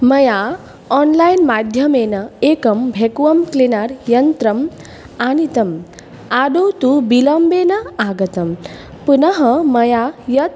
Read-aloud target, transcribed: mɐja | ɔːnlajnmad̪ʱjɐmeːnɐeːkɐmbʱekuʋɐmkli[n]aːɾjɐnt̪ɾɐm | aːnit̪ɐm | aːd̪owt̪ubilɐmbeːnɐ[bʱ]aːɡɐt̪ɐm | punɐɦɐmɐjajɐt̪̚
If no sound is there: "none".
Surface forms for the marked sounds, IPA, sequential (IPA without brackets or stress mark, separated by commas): n, none